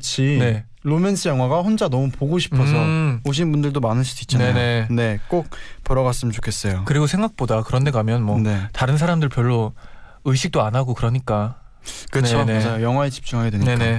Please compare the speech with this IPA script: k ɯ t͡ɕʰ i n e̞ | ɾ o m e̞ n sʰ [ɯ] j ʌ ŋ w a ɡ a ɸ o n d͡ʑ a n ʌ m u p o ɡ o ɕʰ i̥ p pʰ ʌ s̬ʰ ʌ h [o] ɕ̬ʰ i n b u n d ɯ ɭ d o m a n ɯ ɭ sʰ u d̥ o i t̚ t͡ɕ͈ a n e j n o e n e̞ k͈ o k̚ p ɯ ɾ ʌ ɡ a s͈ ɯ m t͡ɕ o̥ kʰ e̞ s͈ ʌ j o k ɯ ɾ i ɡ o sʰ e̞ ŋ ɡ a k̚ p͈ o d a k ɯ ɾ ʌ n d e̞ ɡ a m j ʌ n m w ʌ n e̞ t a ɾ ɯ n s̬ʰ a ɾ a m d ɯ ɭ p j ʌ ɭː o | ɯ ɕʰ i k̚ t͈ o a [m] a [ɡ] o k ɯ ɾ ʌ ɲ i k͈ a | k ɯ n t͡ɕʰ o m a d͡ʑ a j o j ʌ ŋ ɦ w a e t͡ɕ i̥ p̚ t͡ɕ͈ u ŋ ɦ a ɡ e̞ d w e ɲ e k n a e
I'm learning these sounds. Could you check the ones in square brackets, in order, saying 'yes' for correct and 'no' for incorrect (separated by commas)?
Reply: yes, yes, no, yes